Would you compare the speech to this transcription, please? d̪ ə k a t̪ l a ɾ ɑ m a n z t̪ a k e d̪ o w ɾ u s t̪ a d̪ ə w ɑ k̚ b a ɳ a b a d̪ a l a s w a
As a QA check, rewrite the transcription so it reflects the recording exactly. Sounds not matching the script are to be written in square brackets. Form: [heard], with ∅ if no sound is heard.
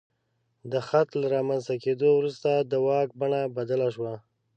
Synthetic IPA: d̪ ə [x] a t̪ l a ɾ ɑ m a n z t̪ a k e d̪ o w ɾ u s t̪ a d̪ ə w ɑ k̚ b a ɳ a b a d̪ a l a [ʃ] w a